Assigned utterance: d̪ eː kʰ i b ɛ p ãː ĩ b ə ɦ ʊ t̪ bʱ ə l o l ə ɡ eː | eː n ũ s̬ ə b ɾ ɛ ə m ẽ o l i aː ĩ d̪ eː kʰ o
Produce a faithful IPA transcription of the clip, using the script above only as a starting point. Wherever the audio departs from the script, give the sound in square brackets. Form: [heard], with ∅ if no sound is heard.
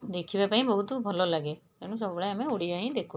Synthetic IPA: d̪ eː kʰ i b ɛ p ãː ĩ b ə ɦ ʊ t̪ bʱ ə l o l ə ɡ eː | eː n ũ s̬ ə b [ɽ] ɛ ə m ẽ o [ɽ] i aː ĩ d̪ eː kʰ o